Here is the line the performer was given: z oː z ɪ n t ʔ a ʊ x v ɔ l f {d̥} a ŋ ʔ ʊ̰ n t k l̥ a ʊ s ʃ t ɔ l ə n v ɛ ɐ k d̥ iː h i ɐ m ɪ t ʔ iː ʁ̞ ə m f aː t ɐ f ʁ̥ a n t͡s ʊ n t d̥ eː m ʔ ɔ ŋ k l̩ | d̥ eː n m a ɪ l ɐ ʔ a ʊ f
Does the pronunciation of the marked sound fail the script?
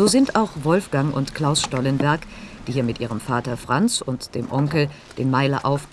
yes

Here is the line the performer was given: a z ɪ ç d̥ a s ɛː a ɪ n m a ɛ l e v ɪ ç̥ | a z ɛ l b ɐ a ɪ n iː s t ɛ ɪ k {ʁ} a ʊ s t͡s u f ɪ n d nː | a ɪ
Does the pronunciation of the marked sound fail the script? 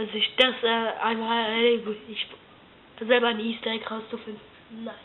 no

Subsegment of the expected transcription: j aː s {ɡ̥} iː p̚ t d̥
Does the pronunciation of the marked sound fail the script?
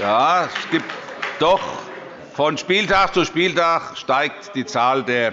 no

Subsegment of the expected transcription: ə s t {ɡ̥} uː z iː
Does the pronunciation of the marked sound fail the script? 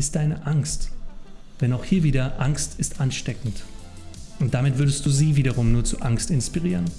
yes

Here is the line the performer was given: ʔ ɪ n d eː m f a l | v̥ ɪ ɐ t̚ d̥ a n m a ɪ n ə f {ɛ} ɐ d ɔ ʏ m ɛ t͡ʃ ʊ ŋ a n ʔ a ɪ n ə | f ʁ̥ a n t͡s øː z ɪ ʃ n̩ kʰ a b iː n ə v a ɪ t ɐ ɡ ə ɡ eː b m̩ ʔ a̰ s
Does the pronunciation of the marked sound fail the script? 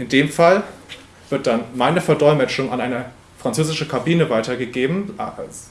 no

